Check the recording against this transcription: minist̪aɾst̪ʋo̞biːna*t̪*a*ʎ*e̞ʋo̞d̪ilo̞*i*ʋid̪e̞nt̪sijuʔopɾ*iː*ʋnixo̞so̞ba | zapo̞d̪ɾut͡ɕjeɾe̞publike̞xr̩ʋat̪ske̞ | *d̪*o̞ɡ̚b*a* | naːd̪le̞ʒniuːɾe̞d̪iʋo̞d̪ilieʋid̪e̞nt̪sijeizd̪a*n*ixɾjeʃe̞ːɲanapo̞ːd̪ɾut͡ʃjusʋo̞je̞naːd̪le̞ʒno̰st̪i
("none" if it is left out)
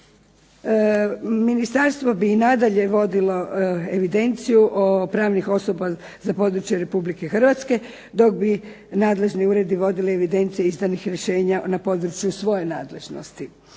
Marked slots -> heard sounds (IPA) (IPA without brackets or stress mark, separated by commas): d̪, ʎ, e, aː, d̪, i, n